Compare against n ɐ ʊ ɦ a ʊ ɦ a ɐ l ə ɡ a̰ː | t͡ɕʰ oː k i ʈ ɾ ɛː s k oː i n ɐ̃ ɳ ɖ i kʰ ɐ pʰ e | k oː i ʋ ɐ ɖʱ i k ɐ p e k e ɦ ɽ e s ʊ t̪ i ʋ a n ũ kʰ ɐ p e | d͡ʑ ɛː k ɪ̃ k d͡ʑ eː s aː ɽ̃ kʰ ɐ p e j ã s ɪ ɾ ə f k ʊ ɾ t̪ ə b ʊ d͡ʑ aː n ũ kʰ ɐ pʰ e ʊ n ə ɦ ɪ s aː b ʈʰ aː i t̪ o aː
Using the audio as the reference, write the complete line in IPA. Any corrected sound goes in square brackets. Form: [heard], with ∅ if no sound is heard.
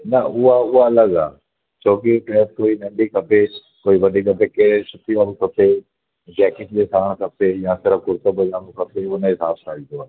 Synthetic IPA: n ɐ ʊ ɦ a ʊ ɦ a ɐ l ə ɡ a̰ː | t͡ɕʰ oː k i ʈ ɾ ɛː s k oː i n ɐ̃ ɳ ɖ i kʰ ɐ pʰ e | k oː i ʋ ɐ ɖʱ i k ɐ p e k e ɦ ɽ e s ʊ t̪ i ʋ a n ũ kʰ ɐ p e | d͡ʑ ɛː k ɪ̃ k d͡ʑ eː s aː ɽ̃ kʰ ɐ p e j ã s ɪ ɾ ə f k ʊ ɾ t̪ ə b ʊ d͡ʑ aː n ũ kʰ ɐ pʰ e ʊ n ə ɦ ɪ s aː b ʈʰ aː i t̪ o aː

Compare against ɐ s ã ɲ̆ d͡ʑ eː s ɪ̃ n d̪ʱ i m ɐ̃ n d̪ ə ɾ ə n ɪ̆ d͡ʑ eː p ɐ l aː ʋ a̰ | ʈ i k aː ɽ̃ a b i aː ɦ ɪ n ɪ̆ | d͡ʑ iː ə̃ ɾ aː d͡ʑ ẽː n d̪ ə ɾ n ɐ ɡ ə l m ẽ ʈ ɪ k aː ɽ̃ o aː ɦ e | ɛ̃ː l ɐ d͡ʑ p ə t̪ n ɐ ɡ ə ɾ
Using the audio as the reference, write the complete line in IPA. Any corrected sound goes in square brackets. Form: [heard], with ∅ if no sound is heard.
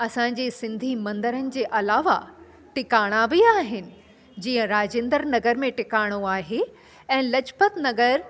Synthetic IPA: ɐ s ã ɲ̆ d͡ʑ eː s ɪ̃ n d̪ʱ i m ɐ̃ n d̪ ə ɾ ə n ɪ̆ d͡ʑ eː [ʔ] ɐ l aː ʋ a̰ | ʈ [ɪ] k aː ɽ̃ a b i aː ɦ ɪ n ɪ̆ | d͡ʑ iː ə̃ ɾ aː d͡ʑ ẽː n d̪ ə ɾ n ɐ ɡ ə [ɾ] m ẽ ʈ ɪ k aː ɽ̃ o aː ɦ e | ɛ̃ː l ɐ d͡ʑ p ə t̪ n ɐ ɡ ə ɾ

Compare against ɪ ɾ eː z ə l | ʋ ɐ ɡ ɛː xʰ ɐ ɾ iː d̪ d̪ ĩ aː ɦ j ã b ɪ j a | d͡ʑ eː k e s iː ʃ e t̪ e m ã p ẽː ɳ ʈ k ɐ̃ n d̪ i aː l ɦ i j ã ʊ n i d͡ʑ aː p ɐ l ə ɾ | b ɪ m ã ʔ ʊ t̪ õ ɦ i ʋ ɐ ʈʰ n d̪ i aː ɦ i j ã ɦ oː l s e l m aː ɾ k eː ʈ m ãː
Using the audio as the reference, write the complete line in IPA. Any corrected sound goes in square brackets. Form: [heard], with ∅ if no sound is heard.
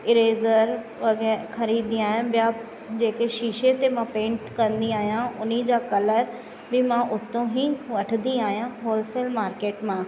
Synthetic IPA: ɪ ɾ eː z ə [ɾ] | ʋ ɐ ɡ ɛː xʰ ɐ ɾ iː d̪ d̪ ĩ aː ɦ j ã b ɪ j a | d͡ʑ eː k e [ʃ] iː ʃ e t̪ e m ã p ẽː ɳ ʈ k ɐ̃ n d̪ i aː [∅] ɦ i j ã ʊ n i d͡ʑ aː [k] ɐ l ə ɾ | b ɪ m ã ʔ ʊ t̪ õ ɦ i ʋ ɐ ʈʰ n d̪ i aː ɦ i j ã ɦ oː l s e l m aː ɾ k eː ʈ m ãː

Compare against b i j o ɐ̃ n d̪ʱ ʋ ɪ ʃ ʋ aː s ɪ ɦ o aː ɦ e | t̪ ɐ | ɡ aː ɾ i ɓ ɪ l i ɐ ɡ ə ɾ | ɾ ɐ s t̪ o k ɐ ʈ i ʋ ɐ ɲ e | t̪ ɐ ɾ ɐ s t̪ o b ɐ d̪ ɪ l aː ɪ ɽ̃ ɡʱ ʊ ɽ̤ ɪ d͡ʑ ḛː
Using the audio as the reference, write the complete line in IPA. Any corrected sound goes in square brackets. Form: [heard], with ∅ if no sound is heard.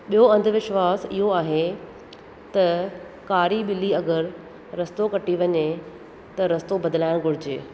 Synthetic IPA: [ɓ] i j o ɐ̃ n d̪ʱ ʋ ɪ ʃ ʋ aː s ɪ ɦ o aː ɦ e | t̪ ɐ | [k] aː ɾ i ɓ ɪ l i ɐ ɡ ə ɾ | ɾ ɐ s t̪ o k ɐ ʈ i ʋ ɐ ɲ e | t̪ ɐ ɾ ɐ s t̪ o b ɐ d̪ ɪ l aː ɪ ɽ̃ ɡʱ ʊ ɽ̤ ɪ d͡ʑ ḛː

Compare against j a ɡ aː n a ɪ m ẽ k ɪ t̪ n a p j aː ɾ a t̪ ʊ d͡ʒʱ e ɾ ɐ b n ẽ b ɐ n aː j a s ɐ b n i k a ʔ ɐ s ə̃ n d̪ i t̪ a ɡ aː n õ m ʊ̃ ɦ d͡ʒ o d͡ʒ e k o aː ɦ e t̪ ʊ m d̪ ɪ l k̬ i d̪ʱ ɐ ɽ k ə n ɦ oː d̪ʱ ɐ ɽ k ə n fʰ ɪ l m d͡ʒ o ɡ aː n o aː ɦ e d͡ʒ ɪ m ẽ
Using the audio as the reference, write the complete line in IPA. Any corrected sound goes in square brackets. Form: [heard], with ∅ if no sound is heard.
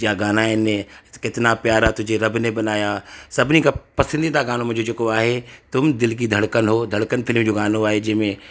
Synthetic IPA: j a ɡ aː n a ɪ [n] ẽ k ɪ t̪ n a p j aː ɾ a t̪ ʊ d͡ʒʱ e ɾ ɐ b n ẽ b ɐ n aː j a s ɐ b n i k a [p] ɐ s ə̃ n d̪ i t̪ a ɡ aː n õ m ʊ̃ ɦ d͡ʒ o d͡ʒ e k o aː ɦ e t̪ ʊ m d̪ ɪ l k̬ i d̪ʱ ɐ ɽ k ə n ɦ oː d̪ʱ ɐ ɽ k ə n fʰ ɪ l m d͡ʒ o ɡ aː n o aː ɦ e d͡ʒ ɪ m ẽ

